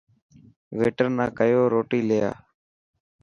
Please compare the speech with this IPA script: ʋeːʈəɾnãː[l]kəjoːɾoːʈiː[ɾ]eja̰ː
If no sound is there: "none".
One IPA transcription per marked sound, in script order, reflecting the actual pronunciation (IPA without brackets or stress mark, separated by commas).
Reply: none, l